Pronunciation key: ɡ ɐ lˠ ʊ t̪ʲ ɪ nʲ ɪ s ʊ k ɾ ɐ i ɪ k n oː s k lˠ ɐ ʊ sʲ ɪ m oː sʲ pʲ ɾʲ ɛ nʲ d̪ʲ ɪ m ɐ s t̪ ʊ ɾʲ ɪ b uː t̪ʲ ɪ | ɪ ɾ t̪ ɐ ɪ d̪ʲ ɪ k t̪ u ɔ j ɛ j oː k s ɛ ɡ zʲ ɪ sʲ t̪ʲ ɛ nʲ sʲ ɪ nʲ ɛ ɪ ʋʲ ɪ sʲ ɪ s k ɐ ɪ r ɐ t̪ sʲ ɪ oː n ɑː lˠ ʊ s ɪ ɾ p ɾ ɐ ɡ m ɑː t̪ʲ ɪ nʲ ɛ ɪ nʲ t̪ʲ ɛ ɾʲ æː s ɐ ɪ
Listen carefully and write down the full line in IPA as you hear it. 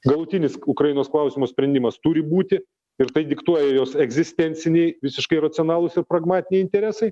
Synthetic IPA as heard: ɡ ɐ lˠ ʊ t̪ʲ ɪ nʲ ɪ s ʊ k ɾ ɐ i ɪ n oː s k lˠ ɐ ʊ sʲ ɪ m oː sʲ pʲ ɾʲ ɛ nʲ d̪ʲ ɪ m ɐ s t̪ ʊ ɾʲ ɪ b uː t̪ʲ ɪ | ɪ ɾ t̪ ɐ ɪ d̪ʲ ɪ k t̪ u ɔ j ɛ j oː s ɛ ɡ zʲ ɪ sʲ t̪ʲ ɛ nʲ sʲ ɪ nʲ ɛ ɪ ʋʲ ɪ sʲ ɪ ʃ k ɐ ɪ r ɐ t̪ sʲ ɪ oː n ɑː lˠ ʊ s ɪ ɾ p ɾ ɐ ɡ m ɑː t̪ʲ ɪ nʲ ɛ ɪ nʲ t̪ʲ ɛ ɾʲ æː s ɐ ɪ

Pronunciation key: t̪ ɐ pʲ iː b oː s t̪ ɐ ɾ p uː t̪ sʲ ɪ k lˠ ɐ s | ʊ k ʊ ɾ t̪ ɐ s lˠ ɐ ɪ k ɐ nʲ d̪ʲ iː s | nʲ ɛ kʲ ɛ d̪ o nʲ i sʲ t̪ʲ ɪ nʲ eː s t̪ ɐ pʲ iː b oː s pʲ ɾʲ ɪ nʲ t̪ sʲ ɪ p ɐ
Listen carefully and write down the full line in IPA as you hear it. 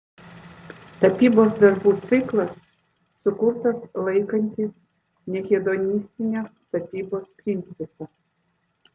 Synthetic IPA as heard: t̪ ɐ pʲ iː b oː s d̪ ɐ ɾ b uː t̪ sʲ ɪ k lˠ ɐ sː | ʊ k ʊ ɾ t̪ ɐ s lˠ ɐ ɪ k ɐ nʲ t̪ʲ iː s | nʲ ɛ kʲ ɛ d̪ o nʲ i sʲ t̪ʲ ɪ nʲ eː s t̪ ɐ pʲ iː b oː s pʲ ɾʲ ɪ nʲ t̪ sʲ ɪ p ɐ

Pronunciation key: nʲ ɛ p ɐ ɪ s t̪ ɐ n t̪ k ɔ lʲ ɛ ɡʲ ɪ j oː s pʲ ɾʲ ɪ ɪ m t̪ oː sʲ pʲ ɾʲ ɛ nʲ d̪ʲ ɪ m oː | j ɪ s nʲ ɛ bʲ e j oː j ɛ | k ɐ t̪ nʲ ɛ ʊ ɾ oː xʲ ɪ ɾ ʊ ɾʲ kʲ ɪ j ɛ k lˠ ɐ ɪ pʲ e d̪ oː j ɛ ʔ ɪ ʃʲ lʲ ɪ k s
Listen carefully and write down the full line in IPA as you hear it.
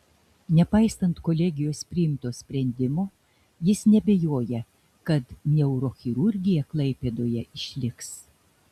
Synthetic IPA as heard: nʲ ɛ p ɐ ɪ s t̪ ɐ n t̪ k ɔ lʲ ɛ ɡʲ ɪ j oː s pʲ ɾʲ ɪ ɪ m t̪ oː sʲ pʲ ɾʲ ɛ nʲ d̪ʲ ɪ m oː | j ɪ s nʲ ɛ bʲ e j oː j ɛ | k ɐ t̪ nʲ ɛ ʊ ɾ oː xʲ ɪ ɾ ʊ ɾʲ ɡʲ ɪ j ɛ k lˠ ɐ ɪ pʲ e d̪ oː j ɛ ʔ ɪ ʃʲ lʲ ɪ k s

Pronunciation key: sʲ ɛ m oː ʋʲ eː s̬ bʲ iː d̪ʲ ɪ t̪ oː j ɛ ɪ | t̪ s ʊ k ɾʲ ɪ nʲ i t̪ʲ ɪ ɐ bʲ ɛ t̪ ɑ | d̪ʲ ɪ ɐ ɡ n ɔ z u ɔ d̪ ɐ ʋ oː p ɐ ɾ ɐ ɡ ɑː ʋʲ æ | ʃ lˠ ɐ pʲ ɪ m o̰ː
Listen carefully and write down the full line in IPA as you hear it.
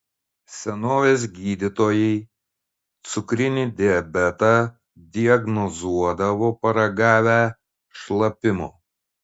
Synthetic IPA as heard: sʲ ɛ n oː ʋʲ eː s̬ ɡʲ iː d̪ʲ ɪ t̪ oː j ɛ ɪ | t̪ s ʊ k ɾʲ ɪ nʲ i d̪ʲ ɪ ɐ bʲ ɛ t̪ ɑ | d̪ʲ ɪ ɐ ɡ n ɔ z u ɔ d̪ ɐ ʋ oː p ɐ ɾ ɐ ɡ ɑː ʋʲ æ | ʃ lˠ ɐ pʲ ɪ m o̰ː

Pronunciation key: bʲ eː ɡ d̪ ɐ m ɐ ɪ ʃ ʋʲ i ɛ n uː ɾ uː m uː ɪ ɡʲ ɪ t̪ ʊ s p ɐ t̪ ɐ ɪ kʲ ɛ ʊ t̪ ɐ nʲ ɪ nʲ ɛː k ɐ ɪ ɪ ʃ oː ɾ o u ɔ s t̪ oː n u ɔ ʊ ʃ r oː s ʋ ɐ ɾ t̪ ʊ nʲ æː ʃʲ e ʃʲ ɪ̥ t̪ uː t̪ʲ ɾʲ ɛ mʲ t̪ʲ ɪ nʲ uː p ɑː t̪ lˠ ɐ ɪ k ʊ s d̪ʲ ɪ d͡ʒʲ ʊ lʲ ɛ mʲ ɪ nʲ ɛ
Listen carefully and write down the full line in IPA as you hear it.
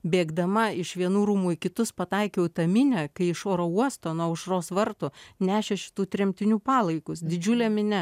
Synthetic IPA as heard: bʲ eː ɡ d̪ ɐ m ɐ ɪ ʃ ʋʲ i ɛ n uː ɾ uː m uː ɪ kʲ ɪ t̪ ʊ s p ɐ t̪ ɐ ɪ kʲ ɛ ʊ t̪ ɐ mʲ ɪ nʲ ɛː k ɐ ɪ ɪ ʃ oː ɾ o u ɔ s t̪ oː n u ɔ ʊ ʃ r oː s ʋ ɐ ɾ t̪ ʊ nʲ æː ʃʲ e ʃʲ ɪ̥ t̪ uː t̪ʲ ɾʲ ɛ mʲ t̪ʲ ɪ nʲ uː p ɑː lˠ ɐ ɪ k ʊ s d̪ʲ ɪ d͡ʒʲ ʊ lʲ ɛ mʲ ɪ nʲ ɛ

